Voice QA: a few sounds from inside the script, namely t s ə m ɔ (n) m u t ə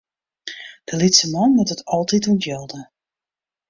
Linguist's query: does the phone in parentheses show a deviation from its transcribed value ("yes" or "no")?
no